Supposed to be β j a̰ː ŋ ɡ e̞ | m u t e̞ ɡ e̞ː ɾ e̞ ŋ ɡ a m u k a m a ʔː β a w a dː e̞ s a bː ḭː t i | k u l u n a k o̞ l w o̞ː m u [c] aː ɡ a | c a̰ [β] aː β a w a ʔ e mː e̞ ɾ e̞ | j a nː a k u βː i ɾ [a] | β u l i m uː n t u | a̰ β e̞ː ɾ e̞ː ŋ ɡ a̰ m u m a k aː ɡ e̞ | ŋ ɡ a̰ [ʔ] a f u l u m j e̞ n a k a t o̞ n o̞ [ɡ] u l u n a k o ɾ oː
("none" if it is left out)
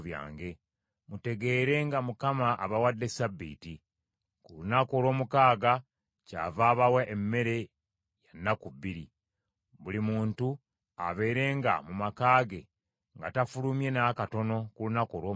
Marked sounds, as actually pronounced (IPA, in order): k, v, i, t, k

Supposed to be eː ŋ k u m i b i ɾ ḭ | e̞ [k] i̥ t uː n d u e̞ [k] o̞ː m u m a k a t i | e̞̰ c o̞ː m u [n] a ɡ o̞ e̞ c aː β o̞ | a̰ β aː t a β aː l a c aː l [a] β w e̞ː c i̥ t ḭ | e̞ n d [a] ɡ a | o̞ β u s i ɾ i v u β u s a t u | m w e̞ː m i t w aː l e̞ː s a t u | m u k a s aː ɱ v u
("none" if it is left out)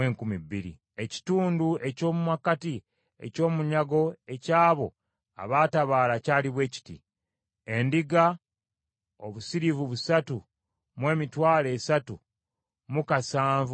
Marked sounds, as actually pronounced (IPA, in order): c, c, ɲ, i, i

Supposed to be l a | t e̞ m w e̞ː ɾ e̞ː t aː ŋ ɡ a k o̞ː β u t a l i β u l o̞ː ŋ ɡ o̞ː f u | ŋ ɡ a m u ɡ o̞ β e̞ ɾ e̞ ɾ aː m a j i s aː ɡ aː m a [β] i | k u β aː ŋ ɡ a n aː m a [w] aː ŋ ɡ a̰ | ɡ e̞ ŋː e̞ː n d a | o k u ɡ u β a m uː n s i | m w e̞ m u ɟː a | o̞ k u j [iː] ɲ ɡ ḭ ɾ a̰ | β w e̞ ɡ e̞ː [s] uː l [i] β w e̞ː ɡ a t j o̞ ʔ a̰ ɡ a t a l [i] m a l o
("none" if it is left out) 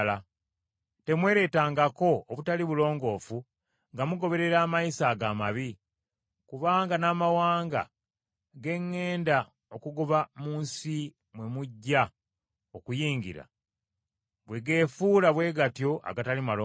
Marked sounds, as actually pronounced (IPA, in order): β, w, iː, f, a, i

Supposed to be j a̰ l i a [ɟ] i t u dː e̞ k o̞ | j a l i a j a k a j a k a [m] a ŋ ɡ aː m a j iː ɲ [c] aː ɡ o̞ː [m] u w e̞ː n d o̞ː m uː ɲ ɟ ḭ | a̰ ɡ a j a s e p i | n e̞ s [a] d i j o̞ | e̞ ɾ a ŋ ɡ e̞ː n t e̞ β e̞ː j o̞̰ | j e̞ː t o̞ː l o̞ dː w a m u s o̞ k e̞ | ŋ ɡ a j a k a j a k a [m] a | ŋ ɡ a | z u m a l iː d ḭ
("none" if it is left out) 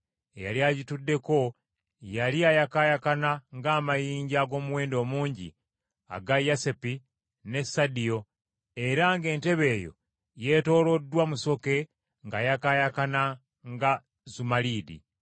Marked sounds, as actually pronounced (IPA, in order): ɟ, n, ɟ, m, a, n

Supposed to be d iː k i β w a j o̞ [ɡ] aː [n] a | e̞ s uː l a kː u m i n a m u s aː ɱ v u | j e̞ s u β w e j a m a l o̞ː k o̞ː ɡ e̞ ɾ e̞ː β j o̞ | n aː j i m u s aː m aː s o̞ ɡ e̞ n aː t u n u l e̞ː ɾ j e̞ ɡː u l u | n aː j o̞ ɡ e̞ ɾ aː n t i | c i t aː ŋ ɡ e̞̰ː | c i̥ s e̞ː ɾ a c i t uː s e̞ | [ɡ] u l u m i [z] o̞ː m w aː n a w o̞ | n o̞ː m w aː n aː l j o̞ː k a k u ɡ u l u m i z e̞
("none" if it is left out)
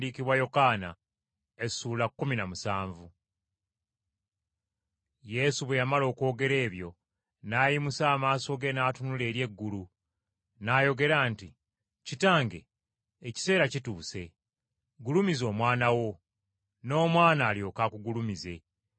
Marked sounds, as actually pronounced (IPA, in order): k, n, ɡ, z

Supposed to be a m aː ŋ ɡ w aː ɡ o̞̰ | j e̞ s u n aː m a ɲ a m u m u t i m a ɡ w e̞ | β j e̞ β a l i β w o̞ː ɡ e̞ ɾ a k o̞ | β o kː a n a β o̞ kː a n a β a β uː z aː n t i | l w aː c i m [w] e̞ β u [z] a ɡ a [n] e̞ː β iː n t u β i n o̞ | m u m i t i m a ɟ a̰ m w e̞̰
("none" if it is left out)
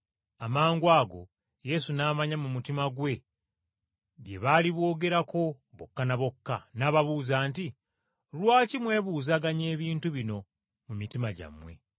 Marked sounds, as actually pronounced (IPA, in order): w, z, ɲ

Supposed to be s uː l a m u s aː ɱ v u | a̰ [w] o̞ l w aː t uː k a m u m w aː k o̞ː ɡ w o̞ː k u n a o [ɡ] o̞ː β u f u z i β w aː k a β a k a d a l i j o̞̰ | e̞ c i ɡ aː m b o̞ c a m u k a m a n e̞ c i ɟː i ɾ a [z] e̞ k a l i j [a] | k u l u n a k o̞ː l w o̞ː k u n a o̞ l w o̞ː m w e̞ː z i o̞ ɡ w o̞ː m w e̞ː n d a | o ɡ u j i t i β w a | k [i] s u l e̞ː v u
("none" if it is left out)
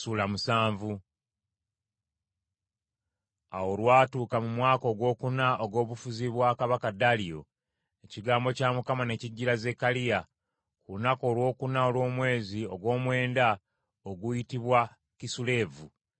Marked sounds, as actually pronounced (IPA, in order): w, ɡ, z, a, i

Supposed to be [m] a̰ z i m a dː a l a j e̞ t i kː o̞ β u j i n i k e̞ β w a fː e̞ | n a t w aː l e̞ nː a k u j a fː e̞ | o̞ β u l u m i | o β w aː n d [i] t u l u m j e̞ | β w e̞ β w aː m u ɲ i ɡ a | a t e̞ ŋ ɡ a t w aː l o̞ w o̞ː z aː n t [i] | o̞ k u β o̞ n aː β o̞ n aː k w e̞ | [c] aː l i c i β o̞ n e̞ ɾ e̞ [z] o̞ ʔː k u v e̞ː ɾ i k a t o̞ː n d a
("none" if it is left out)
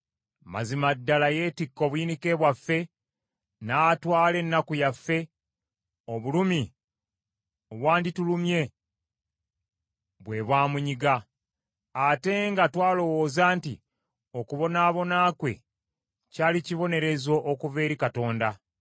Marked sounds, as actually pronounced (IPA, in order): m, i, i, c, z

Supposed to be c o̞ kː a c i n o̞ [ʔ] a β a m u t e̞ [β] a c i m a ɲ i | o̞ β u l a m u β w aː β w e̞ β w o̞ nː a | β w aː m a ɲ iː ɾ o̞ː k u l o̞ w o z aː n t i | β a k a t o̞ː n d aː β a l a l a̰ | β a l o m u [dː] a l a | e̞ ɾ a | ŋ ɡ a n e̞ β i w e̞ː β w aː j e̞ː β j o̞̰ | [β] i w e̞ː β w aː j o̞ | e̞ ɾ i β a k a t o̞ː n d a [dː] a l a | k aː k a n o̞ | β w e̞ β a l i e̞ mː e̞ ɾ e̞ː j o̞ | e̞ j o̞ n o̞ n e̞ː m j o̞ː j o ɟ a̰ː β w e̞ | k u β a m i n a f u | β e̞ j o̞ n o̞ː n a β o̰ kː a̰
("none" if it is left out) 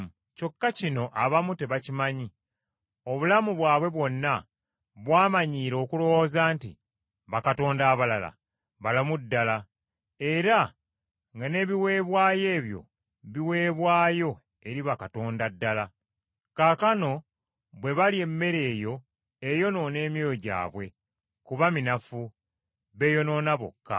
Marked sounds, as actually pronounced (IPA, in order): ʔ, β, dː, β, dː

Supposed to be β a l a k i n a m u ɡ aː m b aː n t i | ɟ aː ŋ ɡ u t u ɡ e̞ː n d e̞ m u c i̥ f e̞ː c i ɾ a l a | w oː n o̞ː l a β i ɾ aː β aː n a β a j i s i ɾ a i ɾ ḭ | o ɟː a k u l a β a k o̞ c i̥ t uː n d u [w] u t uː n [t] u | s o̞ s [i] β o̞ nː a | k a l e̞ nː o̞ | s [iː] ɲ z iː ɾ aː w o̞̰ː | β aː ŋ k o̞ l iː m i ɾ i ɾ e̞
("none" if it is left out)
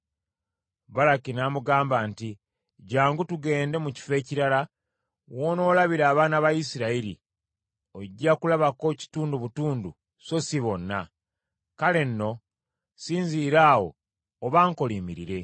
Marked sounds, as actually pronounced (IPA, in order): β, d, i, iː

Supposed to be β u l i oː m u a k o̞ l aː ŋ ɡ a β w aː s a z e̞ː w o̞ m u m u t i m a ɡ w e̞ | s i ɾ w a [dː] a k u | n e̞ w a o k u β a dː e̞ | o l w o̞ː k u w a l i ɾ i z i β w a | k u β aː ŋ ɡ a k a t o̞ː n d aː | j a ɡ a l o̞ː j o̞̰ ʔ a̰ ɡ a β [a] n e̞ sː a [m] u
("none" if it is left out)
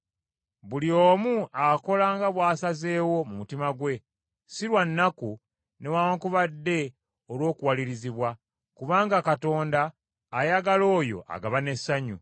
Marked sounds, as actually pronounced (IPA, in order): nː, a, ɲ

